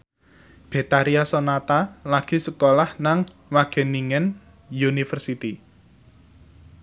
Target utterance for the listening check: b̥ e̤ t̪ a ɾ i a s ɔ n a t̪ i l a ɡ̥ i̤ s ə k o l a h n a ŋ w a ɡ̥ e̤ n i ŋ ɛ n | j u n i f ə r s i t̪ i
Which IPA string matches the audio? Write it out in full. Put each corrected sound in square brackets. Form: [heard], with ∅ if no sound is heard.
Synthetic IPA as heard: b̥ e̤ t̪ a ɾ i a s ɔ n a t̪ [a] l a ɡ̥ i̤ s ə k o l a h n a ŋ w a ɡ̥ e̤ n i ŋ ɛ n | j u n i f ə r s i t̪ i